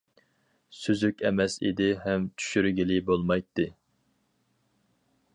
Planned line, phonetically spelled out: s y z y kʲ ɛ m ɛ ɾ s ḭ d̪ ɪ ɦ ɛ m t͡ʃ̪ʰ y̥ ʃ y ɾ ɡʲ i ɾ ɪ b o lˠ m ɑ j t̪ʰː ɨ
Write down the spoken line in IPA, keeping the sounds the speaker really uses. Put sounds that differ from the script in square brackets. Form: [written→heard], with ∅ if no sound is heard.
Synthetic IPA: s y z y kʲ ɛ m ɛ [ɾ→∅] s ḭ d̪ ɪ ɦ ɛ m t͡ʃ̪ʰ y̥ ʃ y ɾ ɡʲ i [ɾ→l] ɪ b o lˠ m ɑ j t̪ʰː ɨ